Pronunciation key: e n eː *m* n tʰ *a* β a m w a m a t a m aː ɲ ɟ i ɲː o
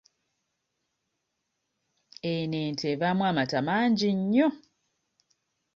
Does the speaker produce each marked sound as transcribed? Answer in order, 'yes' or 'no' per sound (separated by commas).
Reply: no, no